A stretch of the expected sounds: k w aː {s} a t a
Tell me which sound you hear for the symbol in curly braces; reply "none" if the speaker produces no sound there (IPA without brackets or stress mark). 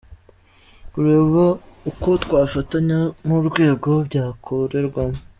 f